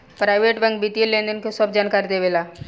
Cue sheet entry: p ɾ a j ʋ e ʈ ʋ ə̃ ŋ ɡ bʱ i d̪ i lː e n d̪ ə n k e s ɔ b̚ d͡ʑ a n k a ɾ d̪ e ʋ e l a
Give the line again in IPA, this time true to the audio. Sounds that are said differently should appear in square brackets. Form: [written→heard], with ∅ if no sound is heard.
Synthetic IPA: p ɾ a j ʋ e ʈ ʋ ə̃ ŋ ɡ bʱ i [d̪→t̪] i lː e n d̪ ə n k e s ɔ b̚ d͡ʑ a n k a ɾ d̪ e ʋ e l a